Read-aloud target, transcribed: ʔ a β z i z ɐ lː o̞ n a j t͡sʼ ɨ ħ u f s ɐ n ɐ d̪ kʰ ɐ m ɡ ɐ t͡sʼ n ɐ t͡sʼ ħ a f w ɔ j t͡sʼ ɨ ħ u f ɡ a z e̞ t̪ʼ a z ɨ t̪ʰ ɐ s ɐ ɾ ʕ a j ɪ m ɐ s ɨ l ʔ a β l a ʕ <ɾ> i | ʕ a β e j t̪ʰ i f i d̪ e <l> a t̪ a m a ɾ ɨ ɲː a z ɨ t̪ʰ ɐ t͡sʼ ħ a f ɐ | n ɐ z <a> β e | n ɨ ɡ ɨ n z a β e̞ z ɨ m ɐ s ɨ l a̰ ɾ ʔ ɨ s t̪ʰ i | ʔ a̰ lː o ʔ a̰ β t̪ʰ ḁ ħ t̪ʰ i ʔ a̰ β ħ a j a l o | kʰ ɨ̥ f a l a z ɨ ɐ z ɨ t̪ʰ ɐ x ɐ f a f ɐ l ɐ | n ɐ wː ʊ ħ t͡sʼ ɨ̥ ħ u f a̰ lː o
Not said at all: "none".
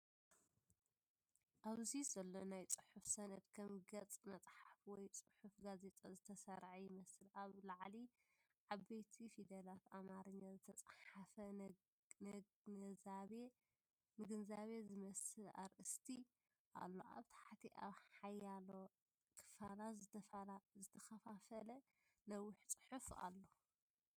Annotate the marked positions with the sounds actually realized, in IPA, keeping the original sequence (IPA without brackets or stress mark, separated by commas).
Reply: l, l, a